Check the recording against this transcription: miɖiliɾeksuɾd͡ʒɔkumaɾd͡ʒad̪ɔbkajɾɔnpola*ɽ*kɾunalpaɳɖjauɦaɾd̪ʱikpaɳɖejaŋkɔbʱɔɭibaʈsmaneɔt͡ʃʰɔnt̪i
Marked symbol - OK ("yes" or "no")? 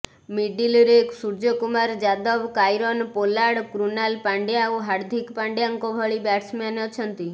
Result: yes